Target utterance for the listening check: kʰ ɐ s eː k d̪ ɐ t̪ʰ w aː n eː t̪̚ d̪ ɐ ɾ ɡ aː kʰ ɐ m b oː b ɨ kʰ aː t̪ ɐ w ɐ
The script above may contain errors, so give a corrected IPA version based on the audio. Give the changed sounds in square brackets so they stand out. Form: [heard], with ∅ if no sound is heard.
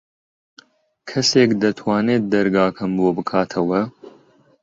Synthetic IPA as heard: kʰ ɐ s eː k d̪ ɐ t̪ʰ w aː n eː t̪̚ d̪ ɐ ɾ ɡ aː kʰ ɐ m b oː b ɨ kʰ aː [t̪ʰ] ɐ w ɐ